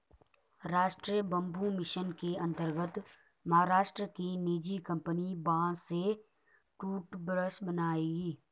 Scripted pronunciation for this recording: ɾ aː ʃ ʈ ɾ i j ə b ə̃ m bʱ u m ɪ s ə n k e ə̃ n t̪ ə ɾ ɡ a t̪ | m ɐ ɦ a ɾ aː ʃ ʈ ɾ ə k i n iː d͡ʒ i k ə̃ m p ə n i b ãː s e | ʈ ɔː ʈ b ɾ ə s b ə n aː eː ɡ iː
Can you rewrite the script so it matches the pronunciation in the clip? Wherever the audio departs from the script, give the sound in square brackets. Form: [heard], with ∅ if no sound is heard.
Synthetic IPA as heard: ɾ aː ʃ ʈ ɾ i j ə b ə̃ m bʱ u m ɪ [ʃ] ə n k e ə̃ n t̪ ə ɾ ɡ [ə] t̪ | m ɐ ɦ a ɾ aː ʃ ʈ ɾ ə k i n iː d͡ʒ i k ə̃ m p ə n i b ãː s e | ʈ [uː] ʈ b ɾ ə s b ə n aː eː ɡ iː

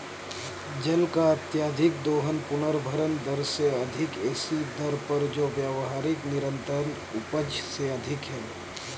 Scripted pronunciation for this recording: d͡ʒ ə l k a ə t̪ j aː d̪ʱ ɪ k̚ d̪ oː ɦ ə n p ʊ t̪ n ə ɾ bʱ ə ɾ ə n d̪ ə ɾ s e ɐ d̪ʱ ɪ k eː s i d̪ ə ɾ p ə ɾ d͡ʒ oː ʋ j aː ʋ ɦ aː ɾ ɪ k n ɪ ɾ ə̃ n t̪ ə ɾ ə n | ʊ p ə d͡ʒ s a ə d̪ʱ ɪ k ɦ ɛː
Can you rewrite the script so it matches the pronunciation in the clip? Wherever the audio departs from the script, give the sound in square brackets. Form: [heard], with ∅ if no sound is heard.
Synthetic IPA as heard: d͡ʒ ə l k a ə t̪ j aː d̪ʱ ɪ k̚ d̪ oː ɦ ə n p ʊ [∅] n ə ɾ bʱ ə ɾ ə n d̪ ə ɾ s e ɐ d̪ʱ ɪ k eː s i d̪ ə ɾ p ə ɾ d͡ʒ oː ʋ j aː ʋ ɦ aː ɾ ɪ k n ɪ ɾ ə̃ n t̪ ə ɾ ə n | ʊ p ə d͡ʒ s [e] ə d̪ʱ ɪ k ɦ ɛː

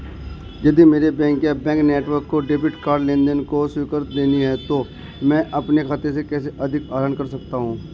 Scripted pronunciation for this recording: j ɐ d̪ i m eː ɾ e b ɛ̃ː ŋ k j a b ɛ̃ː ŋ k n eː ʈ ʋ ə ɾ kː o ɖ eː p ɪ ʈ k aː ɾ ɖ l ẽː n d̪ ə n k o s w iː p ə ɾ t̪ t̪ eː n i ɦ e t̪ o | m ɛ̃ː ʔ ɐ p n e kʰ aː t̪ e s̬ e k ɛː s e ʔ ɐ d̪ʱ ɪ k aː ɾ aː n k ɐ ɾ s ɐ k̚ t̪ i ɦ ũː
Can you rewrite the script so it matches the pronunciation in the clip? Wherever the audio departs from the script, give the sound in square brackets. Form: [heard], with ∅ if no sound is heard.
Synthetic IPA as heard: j ɐ d̪ i m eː ɾ e b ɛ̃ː ŋ k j a b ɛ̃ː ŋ k n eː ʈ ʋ ə ɾ kː o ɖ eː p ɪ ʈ k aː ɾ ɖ l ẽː n d̪ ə n k o s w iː [k] ə ɾ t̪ [d̪] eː n i ɦ [ɛ] t̪ o | m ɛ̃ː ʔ ɐ p n e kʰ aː t̪ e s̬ e k ɛː s e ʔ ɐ d̪ʱ ɪ k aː ɾ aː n k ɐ ɾ s ɐ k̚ t̪ [a] ɦ ũː

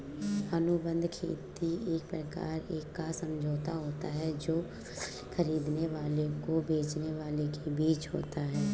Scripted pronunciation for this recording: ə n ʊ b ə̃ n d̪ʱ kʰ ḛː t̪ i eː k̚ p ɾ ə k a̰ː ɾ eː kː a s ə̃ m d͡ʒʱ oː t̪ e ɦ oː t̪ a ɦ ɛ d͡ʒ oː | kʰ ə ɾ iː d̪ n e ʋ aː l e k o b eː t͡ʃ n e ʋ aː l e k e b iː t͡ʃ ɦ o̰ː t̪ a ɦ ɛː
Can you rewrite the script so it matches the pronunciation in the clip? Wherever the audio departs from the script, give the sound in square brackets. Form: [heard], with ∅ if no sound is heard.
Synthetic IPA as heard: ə n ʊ b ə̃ n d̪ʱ kʰ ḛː t̪ i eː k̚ p ɾ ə k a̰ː ɾ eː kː a s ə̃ m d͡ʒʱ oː t̪ [a] ɦ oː t̪ a ɦ ɛ d͡ʒ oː | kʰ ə ɾ iː d̪ n e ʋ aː l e k o b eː t͡ʃ n e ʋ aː l e k e b iː t͡ʃ ɦ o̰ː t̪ a ɦ ɛː

